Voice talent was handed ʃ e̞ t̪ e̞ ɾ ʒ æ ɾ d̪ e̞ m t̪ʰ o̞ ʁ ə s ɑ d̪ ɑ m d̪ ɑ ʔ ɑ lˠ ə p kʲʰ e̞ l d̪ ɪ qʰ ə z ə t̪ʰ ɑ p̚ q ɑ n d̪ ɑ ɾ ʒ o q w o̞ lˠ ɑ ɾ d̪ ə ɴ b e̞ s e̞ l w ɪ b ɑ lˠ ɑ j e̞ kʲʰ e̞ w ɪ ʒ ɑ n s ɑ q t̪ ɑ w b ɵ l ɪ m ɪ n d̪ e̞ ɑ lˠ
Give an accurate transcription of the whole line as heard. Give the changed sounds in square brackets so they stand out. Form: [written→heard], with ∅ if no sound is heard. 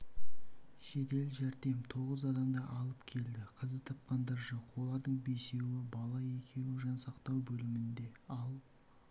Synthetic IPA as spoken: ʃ e̞ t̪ e̞ [ɾ→l] ʒ æ ɾ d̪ e̞ m t̪ʰ o̞ ʁ ə [s→z] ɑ d̪ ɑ m d̪ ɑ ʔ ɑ lˠ ə p kʲʰ e̞ l d̪ ɪ qʰ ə z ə t̪ʰ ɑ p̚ q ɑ n d̪ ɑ ɾ ʒ o q w o̞ lˠ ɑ ɾ d̪ ə ɴ b e̞ s e̞ [l→∅] w ɪ b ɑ lˠ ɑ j e̞ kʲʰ e̞ w ɪ ʒ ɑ n s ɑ q t̪ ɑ w b ɵ l ɪ m ɪ n d̪ e̞ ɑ lˠ